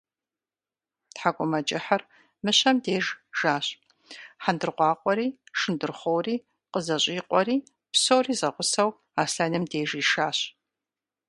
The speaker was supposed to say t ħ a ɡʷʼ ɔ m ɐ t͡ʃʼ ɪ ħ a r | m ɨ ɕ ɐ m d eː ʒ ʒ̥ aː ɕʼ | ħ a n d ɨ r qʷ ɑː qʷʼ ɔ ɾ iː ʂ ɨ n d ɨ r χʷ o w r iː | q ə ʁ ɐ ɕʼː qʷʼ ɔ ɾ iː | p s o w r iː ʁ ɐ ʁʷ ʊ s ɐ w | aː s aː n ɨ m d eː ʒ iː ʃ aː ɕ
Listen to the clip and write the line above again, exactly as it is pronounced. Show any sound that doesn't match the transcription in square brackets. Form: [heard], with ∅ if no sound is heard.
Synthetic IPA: t ħ a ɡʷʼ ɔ m ɐ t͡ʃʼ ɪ ħ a r | m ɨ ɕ ɐ m d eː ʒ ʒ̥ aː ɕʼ | ħ a n d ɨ r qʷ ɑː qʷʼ ɔ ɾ iː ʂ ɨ n d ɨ r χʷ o w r iː | q ə [z] ɐ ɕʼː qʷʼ ɔ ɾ iː | p s o w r iː [z] ɐ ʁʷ ʊ s ɐ w | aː s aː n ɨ m d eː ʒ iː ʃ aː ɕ